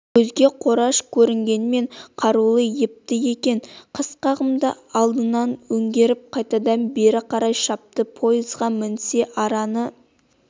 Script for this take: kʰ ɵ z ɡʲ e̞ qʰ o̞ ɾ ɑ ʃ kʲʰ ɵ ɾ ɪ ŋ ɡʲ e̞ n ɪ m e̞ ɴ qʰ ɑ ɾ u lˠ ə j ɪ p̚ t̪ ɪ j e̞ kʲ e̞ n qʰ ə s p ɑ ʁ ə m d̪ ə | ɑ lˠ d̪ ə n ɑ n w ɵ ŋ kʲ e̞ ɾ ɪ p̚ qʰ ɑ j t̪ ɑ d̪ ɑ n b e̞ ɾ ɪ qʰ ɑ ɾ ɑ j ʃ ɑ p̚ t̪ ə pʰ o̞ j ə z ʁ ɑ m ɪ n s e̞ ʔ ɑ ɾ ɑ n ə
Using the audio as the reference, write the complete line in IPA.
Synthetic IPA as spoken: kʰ ɵ z ɡʲ e̞ qʰ o̞ ɾ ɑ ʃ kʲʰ ɵ ɾ ɪ ŋ ɡʲ e̞ n ɪ m e̞ ɴ qʰ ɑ ɾ u lˠ ə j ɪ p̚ t̪ ɪ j e̞ kʲ e̞ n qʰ ə s q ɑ ʁ ə m d̪ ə | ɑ lˠ d̪ ə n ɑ n w ɵ ŋ ɡʲ e̞ ɾ ɪ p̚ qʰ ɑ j t̪ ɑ d̪ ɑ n b e̞ ɾ ɪ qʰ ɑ ɾ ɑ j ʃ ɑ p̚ t̪ ə pʰ o̞ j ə z ʁ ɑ m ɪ n s e̞ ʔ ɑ ɾ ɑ n ə